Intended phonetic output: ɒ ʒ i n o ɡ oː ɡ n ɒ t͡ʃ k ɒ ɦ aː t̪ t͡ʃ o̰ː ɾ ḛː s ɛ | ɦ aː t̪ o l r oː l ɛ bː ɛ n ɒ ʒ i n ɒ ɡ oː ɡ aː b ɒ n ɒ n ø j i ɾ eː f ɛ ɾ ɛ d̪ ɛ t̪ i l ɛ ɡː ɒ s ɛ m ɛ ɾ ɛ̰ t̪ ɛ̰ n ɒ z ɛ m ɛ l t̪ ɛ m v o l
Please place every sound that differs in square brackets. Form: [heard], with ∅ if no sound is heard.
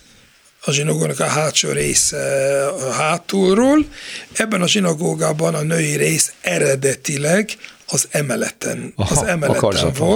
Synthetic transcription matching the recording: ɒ ʒ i n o ɡ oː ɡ n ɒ [∅] k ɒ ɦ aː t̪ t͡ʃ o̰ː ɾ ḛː s ɛ | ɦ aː t̪ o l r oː l ɛ bː ɛ n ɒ ʒ i n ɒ ɡ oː ɡ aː b ɒ n ɒ n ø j i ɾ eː [s] ɛ ɾ ɛ d̪ ɛ t̪ i l ɛ [ɡ] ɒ [z] ɛ m ɛ [l] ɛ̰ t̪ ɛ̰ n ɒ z ɛ m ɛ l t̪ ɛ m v o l